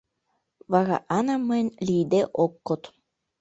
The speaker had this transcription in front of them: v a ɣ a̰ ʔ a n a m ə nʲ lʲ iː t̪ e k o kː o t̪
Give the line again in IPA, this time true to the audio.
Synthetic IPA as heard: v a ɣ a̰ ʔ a n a m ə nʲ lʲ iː d̪ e ʔ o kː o t̪